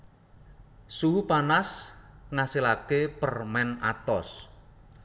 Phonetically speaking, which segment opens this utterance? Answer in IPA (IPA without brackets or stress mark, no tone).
s